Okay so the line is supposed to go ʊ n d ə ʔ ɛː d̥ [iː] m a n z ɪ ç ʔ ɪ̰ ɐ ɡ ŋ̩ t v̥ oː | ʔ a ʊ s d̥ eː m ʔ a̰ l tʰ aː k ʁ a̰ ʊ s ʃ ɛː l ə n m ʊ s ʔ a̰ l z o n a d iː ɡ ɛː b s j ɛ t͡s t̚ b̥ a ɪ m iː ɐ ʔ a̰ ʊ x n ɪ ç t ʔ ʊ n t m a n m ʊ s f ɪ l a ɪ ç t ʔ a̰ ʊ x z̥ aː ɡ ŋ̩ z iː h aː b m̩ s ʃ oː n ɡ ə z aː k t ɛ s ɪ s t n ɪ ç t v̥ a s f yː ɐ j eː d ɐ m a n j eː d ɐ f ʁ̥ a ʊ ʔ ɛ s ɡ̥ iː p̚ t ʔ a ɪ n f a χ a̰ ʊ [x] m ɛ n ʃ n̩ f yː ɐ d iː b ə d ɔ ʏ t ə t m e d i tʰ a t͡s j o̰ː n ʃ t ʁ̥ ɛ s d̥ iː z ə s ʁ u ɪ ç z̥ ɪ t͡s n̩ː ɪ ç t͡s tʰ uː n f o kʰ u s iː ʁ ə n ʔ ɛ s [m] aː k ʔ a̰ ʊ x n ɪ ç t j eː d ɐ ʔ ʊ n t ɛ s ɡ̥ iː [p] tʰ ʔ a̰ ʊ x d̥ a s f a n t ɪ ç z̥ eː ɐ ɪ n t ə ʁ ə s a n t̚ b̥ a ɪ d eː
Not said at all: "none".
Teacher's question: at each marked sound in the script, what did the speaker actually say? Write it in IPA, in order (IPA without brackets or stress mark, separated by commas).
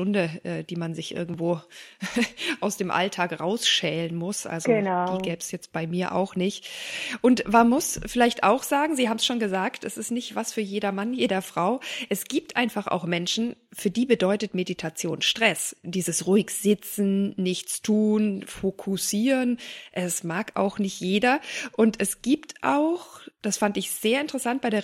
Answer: iː, x, m, p